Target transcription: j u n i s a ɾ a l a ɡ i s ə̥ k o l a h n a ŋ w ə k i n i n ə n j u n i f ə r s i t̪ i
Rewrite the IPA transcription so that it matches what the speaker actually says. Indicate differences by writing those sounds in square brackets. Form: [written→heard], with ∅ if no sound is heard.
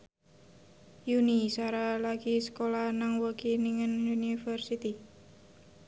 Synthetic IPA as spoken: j u n i s a ɾ a l a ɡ i s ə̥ k o l a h n a ŋ w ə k i n i [n→ŋ] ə n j u n i f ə r s i t̪ i